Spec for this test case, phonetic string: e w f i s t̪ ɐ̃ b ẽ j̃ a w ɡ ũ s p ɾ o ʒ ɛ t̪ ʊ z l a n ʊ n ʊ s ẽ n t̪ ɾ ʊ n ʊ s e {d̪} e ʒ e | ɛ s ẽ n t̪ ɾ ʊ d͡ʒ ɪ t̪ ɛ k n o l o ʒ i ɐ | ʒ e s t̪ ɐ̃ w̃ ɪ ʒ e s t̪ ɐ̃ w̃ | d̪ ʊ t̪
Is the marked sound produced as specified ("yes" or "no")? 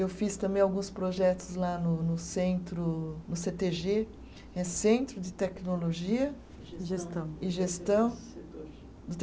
no